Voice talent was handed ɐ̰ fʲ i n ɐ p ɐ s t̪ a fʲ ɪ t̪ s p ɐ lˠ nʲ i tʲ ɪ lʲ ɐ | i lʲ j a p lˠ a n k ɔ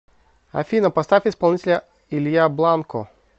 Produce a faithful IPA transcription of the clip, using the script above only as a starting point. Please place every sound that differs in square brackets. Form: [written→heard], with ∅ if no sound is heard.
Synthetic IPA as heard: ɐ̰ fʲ i n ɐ p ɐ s t̪ a fʲ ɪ [t̪→∅] s p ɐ lˠ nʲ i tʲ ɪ lʲ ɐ | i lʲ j a [p→b] lˠ a n k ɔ